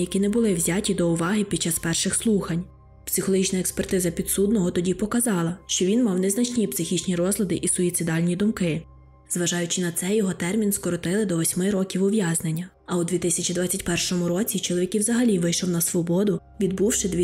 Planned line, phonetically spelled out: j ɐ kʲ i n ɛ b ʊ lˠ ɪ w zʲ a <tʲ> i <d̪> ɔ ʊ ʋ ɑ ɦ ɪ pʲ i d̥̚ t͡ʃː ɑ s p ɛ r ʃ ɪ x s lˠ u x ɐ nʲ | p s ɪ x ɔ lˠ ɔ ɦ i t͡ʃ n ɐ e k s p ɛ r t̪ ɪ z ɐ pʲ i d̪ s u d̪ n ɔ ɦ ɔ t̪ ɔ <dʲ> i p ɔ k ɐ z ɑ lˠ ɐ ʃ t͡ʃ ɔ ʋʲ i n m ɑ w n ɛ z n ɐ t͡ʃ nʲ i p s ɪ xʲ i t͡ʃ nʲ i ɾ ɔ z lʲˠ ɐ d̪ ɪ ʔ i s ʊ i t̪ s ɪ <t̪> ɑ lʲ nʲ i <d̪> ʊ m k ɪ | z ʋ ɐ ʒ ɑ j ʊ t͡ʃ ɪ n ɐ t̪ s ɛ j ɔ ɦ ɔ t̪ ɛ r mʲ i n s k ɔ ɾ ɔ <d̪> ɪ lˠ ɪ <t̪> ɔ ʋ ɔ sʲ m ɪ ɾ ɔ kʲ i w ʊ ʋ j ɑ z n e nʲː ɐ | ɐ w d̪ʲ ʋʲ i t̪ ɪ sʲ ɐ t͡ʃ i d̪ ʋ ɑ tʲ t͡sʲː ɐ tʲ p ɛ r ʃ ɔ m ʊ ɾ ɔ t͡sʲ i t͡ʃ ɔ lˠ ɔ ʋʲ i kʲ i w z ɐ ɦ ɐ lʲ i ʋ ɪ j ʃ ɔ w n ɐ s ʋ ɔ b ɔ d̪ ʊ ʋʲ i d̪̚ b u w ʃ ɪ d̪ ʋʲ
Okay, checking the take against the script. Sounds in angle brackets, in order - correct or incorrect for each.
correct, correct, correct, incorrect: d̪, correct, incorrect: t̪, incorrect: d̪

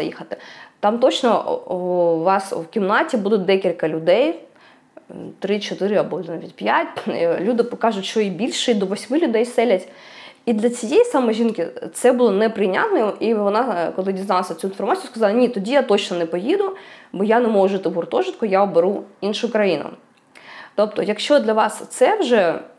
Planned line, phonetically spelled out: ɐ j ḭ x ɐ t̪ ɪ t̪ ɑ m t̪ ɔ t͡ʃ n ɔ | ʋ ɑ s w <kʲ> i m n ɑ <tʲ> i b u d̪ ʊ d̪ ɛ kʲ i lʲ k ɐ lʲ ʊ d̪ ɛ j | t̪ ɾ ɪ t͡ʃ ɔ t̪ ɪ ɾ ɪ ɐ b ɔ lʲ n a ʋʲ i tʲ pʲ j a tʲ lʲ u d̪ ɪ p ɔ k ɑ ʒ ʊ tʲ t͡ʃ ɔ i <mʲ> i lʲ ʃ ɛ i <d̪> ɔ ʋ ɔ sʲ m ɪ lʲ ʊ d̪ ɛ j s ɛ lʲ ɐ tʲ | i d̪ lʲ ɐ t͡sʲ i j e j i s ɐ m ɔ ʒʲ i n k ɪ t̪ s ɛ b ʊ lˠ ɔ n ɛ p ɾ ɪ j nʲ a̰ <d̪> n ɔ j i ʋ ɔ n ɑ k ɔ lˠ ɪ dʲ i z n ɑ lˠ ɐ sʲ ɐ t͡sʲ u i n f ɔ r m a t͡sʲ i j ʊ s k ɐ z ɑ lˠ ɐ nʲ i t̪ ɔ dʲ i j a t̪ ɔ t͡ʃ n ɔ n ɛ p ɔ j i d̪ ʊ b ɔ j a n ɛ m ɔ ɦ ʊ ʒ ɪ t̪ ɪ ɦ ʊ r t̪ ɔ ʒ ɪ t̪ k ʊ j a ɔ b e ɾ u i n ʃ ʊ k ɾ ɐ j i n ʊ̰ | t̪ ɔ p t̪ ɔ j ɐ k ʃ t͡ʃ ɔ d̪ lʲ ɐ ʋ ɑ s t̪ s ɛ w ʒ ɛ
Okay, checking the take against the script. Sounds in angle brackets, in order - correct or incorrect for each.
correct, correct, incorrect: bʲ, correct, incorrect: t̪

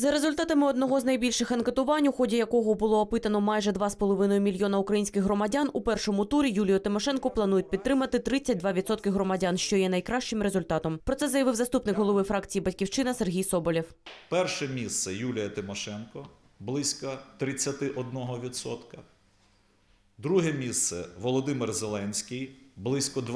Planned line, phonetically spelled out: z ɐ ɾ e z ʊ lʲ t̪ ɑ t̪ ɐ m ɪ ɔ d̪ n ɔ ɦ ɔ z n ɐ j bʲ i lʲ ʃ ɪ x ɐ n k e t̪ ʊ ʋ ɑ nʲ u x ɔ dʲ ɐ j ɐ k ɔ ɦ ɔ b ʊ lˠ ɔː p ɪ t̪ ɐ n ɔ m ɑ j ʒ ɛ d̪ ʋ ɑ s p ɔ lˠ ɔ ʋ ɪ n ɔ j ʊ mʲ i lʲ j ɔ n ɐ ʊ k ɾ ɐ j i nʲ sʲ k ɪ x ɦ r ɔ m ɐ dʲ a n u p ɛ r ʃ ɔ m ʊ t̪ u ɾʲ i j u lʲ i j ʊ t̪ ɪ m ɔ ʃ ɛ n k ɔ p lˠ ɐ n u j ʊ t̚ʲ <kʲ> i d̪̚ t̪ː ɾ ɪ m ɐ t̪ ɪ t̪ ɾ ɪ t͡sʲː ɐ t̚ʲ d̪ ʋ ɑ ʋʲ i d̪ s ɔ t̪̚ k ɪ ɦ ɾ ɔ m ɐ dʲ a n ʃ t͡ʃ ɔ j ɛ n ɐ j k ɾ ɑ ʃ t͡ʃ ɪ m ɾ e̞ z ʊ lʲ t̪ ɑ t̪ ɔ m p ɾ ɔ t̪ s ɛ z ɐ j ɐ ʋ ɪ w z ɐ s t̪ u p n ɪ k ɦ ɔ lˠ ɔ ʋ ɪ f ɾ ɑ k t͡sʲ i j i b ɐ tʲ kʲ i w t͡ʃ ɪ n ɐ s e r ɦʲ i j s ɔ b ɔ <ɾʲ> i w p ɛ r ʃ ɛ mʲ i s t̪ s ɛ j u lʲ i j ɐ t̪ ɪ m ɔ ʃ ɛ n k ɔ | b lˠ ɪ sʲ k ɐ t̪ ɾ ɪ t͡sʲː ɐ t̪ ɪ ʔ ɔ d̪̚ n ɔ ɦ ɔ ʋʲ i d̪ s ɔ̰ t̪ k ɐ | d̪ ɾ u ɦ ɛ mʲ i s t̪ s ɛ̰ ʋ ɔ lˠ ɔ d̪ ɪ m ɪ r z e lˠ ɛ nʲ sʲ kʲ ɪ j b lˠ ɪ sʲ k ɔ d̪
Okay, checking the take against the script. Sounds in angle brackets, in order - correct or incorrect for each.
incorrect: pʲ, incorrect: lʲ

